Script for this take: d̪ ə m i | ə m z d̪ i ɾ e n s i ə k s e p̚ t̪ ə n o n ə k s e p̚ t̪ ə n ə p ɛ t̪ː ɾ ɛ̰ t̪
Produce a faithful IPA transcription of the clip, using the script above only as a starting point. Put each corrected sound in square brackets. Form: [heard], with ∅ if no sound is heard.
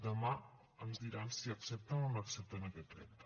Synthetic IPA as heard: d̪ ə m [a] | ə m z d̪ i ɾ [a] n s i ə k s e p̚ t̪ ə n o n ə k s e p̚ t̪ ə n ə [k] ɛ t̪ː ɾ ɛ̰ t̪